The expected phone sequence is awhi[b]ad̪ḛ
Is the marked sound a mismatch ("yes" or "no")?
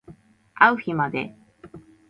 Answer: yes